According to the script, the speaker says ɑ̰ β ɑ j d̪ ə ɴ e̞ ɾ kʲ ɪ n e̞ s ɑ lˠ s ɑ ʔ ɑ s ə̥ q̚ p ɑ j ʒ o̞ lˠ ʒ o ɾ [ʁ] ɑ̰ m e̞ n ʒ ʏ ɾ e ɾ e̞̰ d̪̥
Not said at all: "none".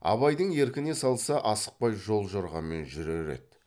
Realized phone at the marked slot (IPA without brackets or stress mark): ʁ